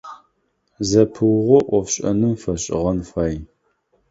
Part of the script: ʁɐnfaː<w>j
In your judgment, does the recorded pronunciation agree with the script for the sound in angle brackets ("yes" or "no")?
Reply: no